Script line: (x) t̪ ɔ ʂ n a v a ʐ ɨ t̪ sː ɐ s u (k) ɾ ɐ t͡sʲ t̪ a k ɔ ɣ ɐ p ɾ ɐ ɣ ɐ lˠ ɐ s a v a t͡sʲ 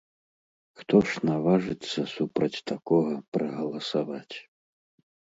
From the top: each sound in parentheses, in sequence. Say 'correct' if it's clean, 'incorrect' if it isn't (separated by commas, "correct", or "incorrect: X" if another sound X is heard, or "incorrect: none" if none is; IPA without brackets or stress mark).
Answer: correct, incorrect: p